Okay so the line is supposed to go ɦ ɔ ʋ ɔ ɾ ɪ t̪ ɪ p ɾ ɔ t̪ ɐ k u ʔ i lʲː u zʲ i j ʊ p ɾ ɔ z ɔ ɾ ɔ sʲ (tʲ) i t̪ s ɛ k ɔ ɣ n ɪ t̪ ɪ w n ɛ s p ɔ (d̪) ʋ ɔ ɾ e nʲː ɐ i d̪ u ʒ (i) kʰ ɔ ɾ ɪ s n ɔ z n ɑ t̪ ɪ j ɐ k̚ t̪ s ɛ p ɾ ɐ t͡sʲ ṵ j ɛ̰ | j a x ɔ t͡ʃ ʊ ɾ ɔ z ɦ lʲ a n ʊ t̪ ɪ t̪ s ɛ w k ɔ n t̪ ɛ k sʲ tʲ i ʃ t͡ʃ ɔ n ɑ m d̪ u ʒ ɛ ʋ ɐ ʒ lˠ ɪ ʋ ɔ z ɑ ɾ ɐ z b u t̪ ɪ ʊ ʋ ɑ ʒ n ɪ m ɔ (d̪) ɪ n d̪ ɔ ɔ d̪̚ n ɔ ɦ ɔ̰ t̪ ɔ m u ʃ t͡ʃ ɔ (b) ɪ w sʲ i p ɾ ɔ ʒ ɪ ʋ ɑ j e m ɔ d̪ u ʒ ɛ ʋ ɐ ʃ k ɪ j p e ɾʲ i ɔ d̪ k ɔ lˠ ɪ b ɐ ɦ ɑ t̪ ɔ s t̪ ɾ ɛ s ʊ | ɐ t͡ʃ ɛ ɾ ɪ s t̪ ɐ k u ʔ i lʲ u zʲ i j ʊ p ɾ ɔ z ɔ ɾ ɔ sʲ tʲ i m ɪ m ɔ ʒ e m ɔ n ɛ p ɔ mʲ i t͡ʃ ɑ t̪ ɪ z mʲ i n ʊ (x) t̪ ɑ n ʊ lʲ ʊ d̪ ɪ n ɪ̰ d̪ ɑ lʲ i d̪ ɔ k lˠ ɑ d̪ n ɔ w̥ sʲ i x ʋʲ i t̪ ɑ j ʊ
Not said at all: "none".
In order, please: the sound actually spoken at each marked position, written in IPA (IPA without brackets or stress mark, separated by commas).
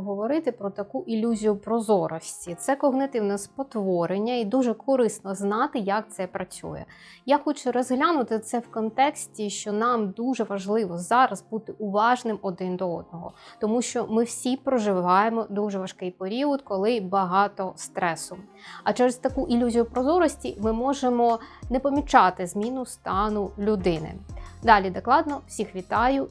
tʲ, t̪, ɛ, d̪, m, s